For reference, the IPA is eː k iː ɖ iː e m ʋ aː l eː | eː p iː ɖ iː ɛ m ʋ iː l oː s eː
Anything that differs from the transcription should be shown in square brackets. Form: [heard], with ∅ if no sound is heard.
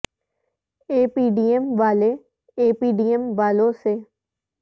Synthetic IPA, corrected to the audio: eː [p] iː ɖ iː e m ʋ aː l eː | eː p iː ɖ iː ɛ m ʋ [aː] l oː s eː